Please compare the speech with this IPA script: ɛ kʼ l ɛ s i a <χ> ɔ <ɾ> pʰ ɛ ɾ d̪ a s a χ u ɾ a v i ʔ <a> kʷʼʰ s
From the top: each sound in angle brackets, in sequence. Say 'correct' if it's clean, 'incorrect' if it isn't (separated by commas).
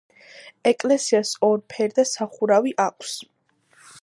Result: incorrect, correct, correct